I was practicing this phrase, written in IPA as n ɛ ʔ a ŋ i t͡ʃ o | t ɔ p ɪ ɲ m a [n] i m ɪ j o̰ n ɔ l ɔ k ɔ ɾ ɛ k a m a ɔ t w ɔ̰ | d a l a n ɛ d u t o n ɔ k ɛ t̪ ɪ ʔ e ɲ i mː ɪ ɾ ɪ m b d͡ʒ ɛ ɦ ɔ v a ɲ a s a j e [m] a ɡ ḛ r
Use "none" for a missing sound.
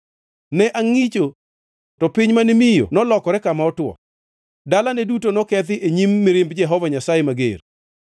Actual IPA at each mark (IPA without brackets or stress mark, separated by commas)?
n, m